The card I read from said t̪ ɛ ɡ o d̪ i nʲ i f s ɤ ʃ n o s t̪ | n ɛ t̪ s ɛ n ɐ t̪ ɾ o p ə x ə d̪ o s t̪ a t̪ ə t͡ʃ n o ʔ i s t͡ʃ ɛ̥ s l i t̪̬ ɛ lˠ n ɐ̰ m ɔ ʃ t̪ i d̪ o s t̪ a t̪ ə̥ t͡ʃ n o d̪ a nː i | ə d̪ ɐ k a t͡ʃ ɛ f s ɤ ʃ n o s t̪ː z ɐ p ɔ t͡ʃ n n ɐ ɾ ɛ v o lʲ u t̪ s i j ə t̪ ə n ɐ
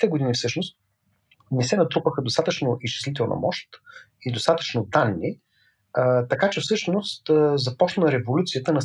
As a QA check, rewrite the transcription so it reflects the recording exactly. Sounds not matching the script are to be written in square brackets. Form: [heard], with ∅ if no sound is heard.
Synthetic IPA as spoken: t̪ ɛ ɡ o d̪ i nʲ i f s ɤ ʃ n o s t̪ | n ɛ [∅] s ɛ n ɐ t̪ ɾ [u] p ə x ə d̪ o s t̪ a t̪ ə t͡ʃ n o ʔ i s t͡ʃ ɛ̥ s l i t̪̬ ɛ lˠ n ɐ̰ m ɔ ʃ t̪ i d̪ o s t̪ a t̪ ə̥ t͡ʃ n o d̪ a nː i | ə [t̪] ɐ k a t͡ʃ ɛ f s ɤ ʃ n o s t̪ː z ɐ p ɔ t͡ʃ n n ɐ ɾ ɛ v o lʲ u t̪ s i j ə t̪ ə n ɐ